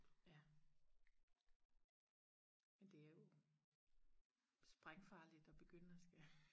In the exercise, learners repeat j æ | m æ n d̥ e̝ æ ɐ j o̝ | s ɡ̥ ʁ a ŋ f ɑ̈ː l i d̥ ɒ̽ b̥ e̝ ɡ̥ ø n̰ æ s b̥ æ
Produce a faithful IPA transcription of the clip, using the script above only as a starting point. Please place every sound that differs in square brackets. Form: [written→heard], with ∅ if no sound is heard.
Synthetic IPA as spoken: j æ | m [æ→e] n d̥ e̝ æ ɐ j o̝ | s [ɡ̥→b̥] ʁ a ŋ f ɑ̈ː l i d̥ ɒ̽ b̥ e̝ ɡ̥ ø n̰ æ s [b̥→ɡ̥] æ